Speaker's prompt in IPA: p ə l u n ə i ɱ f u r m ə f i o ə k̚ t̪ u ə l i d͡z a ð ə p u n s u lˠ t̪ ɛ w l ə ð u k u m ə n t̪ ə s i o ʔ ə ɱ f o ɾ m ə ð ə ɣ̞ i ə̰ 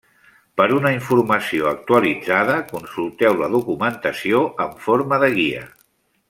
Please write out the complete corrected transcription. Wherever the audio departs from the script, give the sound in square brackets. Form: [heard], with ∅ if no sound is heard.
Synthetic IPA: p ə [ɾ] u n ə i ɱ f u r m ə [s] i o ə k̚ t̪ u ə l i d͡z a ð ə [k] u n s u lˠ t̪ ɛ w l ə ð u k u m ə n t̪ ə s i o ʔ ə ɱ f o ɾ m ə ð ə ɣ̞ i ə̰